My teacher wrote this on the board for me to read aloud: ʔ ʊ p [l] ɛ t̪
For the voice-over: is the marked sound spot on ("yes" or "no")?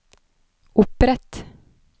no